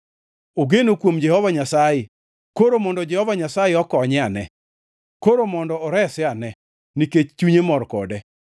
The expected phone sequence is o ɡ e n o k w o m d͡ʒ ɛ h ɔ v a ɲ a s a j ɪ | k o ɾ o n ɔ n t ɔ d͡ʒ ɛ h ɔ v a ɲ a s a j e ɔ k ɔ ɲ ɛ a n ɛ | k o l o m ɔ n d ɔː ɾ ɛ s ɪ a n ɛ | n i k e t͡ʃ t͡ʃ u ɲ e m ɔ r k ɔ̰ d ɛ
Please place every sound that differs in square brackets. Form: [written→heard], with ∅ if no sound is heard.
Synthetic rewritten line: o ɡ e n o k w o m d͡ʒ ɛ h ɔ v a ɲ a s a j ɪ | k o ɾ o [n→m] ɔ n [t→d] ɔ d͡ʒ ɛ h ɔ v a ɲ a s a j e ɔ k ɔ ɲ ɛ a n ɛ | k o [l→ɾ] o m ɔ n d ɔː ɾ ɛ s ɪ a n ɛ | n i k e t͡ʃ t͡ʃ u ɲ e m ɔ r k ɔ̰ d ɛ

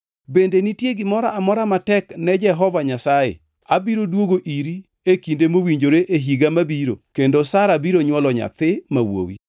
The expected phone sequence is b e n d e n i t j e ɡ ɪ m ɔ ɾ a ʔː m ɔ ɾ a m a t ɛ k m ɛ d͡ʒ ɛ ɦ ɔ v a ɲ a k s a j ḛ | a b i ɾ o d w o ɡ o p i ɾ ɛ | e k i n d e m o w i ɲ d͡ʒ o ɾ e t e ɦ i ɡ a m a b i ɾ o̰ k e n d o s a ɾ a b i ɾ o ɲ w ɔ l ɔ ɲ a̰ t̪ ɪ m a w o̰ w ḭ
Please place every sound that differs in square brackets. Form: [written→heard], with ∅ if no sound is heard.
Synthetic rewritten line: b e n d e n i t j e ɡ ɪ m ɔ ɾ a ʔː m ɔ ɾ a m a t ɛ k [m→n] ɛ d͡ʒ ɛ ɦ ɔ v a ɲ a [k→∅] s a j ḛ | a b i ɾ o d w o ɡ o [p→ʔ] i ɾ [ɛ→i] | e k i n d e m o w i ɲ d͡ʒ o ɾ e [t→ʔ] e ɦ i ɡ a m a b i ɾ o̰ k e n d o s a ɾ a b i ɾ o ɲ w ɔ l ɔ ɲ a̰ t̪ ɪ m a w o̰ w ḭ

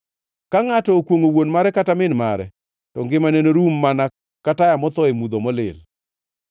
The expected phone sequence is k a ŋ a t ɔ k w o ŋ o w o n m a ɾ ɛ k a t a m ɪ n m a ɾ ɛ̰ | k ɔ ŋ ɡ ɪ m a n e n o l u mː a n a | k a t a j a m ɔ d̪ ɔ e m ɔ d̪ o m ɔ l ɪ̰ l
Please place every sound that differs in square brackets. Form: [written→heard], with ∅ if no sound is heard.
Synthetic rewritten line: k a ŋ a t ɔ k w o ŋ o w o n m a ɾ ɛ k a t a m ɪ n m a ɾ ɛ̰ | [k→t] ɔ ŋ ɡ ɪ m a n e n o [l→ɾ] u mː a n a | k a t a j a m ɔ [d̪→t̪] ɔ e m [ɔ→u] d̪ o m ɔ l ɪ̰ l

